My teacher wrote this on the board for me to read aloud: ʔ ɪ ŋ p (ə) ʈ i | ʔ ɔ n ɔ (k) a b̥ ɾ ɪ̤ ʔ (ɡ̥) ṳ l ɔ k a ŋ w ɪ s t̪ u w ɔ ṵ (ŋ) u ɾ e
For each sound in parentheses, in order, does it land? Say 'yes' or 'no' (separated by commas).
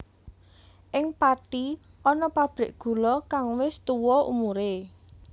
no, no, yes, no